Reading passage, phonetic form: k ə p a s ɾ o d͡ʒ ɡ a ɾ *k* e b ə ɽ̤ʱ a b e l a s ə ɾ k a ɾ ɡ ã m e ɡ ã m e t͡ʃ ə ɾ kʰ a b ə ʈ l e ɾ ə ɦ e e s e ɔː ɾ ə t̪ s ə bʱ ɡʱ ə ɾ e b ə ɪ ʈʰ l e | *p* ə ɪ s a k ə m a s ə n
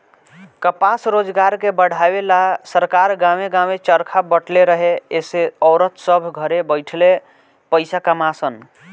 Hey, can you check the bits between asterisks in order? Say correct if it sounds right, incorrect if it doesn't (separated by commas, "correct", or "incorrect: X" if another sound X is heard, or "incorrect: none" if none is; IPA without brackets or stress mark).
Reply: correct, correct